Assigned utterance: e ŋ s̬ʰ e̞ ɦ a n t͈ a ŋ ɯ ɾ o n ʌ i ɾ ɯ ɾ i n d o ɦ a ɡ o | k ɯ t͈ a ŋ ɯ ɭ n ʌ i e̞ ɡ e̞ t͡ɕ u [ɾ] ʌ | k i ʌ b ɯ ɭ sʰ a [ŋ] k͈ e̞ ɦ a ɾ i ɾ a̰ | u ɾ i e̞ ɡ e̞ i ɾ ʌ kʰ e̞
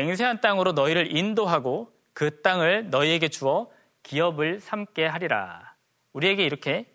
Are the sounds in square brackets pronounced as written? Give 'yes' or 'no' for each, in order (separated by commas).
no, no